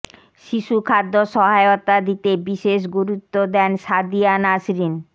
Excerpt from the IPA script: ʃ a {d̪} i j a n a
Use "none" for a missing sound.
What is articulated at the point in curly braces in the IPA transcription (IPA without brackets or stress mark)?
d̪